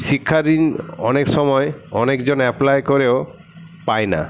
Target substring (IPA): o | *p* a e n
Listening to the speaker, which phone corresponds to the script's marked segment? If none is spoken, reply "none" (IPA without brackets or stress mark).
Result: p